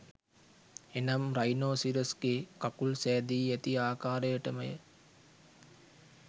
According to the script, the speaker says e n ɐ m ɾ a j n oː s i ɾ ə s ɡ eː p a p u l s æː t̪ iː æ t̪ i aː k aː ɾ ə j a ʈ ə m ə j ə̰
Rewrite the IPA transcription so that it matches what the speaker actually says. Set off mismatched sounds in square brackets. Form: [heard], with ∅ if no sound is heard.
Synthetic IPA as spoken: e n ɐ m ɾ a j n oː s i ɾ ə s ɡ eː [k] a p u l s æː [d̪] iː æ t̪ i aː k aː ɾ ə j [ə] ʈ ə m ə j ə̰